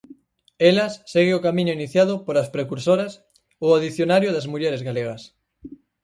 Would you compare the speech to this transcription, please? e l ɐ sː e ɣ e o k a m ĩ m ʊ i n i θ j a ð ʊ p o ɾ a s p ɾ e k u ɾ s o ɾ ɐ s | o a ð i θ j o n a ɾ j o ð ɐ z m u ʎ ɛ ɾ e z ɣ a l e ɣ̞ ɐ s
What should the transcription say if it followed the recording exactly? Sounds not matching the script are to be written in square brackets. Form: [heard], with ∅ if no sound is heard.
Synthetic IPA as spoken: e l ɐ sː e ɣ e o k a m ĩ [ɲ] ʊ i n i θ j a ð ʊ p o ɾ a s p ɾ e k u ɾ s o ɾ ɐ s | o a ð i θ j o n a ɾ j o ð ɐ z m u ʎ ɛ ɾ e z ɣ a l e ɣ̞ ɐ s